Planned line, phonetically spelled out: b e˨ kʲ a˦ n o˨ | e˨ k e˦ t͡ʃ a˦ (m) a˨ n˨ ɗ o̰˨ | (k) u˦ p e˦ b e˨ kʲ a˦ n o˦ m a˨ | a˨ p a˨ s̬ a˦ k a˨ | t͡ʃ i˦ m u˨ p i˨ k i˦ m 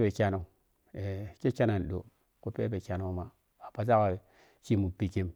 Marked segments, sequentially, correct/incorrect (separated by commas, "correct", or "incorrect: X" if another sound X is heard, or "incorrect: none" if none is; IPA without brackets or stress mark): incorrect: n, correct